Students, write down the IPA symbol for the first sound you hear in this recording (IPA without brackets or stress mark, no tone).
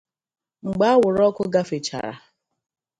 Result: ŋ͡m̩